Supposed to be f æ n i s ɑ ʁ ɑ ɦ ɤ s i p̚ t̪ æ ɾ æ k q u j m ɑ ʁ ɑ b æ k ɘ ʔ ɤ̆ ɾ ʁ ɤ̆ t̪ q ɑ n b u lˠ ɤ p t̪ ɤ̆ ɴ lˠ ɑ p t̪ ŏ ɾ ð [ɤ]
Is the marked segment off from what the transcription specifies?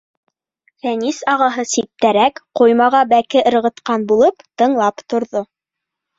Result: yes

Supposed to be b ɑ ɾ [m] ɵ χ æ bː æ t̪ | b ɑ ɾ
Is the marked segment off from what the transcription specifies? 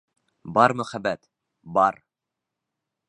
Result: no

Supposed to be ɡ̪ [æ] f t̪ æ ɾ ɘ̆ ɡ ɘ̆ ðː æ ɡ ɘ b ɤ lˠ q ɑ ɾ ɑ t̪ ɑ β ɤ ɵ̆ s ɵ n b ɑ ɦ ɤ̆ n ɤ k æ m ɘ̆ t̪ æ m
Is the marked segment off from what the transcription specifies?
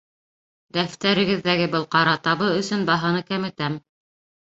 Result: no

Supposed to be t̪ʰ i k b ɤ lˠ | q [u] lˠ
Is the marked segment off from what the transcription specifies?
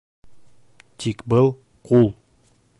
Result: no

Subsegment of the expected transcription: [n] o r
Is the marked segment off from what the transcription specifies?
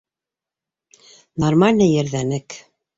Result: no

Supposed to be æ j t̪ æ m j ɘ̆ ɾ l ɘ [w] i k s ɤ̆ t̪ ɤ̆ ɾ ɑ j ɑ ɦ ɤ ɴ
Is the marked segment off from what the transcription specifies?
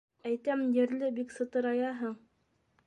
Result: yes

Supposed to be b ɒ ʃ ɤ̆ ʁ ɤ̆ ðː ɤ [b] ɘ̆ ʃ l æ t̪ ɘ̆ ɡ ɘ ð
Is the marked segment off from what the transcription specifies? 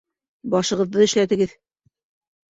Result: yes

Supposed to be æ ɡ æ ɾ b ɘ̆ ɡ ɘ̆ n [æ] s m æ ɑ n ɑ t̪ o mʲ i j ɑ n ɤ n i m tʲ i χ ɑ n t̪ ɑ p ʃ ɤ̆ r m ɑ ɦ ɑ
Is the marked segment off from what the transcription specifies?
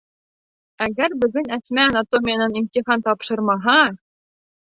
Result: no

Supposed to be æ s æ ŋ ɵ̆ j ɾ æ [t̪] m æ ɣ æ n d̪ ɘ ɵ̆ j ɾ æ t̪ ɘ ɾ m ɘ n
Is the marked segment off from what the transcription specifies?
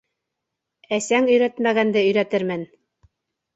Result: no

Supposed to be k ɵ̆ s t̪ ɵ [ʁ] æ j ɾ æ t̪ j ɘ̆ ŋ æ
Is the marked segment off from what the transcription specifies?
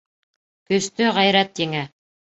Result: no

